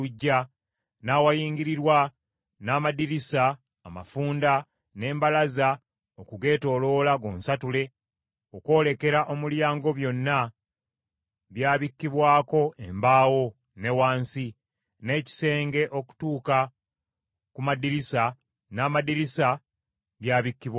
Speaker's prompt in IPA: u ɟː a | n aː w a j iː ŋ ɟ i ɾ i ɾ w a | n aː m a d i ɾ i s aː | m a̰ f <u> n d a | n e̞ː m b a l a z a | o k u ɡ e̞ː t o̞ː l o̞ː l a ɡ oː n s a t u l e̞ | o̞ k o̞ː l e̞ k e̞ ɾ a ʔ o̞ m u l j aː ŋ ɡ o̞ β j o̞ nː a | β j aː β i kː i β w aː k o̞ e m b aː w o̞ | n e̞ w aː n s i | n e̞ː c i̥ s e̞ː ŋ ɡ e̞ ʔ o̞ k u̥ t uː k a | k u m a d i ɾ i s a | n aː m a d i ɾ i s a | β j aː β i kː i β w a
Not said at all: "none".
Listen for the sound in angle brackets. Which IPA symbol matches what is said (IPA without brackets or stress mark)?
uː